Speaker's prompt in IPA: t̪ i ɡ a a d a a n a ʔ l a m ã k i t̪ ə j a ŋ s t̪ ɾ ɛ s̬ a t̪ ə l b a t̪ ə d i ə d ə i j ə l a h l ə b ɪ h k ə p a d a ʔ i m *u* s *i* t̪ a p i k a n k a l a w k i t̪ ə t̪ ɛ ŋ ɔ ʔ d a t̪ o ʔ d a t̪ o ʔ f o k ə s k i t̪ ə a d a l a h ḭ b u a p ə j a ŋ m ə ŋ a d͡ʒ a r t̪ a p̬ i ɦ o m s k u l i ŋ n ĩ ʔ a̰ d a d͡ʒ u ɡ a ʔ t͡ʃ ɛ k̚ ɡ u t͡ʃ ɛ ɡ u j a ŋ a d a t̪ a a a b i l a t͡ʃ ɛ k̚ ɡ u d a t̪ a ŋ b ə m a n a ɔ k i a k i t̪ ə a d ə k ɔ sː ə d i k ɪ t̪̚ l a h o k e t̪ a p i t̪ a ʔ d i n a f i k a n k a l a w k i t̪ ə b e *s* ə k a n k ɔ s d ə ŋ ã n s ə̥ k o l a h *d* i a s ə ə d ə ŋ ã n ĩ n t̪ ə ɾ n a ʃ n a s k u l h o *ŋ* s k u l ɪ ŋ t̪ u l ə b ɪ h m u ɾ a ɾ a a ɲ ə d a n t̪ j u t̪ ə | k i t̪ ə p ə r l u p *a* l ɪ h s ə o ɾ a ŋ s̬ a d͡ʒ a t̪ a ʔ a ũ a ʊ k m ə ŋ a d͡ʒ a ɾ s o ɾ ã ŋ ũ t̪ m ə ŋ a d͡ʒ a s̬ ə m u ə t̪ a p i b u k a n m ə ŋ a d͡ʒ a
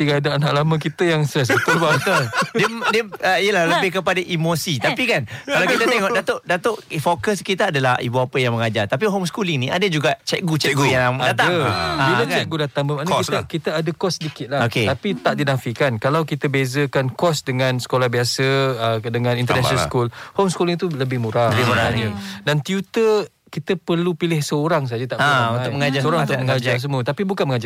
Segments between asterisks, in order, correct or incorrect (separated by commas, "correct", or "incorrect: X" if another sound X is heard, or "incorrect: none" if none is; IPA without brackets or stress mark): incorrect: o, correct, incorrect: z, incorrect: b, incorrect: m, incorrect: i